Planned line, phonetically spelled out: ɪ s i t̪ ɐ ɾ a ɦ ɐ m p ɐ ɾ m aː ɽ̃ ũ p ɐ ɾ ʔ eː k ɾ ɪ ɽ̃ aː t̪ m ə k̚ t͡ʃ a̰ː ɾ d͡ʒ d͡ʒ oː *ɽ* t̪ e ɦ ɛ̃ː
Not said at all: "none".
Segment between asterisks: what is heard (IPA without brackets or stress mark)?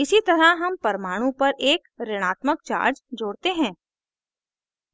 ɽ